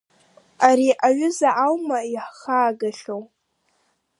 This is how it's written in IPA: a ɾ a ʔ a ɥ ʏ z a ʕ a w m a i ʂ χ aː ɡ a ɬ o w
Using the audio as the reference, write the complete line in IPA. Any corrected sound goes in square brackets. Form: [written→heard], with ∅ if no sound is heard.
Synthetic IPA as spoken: a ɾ [a→i] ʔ a ɥ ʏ z a ʕ a w m a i [ʂ→ħ] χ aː ɡ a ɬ o w